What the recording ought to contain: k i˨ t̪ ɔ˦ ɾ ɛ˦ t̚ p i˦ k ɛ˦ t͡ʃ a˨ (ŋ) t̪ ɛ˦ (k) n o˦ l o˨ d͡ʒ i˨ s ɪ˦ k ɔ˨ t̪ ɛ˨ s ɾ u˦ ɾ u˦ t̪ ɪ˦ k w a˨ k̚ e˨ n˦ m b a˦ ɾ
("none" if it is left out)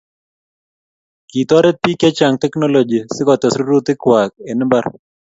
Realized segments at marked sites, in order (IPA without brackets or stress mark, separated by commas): ŋ, k